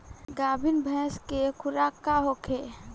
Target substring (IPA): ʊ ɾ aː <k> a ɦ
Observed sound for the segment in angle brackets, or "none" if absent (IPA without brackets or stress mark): k